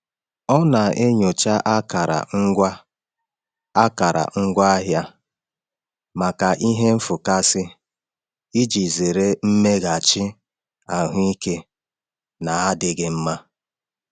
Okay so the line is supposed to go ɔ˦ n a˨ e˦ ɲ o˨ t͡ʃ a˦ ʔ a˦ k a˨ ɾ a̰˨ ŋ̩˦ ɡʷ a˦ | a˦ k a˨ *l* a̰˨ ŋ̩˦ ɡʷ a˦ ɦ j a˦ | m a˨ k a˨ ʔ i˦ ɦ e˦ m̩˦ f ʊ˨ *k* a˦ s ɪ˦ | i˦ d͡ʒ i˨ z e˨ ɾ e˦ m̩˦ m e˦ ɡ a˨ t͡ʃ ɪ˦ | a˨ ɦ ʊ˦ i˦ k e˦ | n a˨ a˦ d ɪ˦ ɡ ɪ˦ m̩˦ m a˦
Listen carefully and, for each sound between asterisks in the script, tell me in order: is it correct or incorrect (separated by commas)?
incorrect, correct